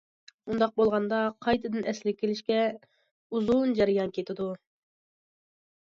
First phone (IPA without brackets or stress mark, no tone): u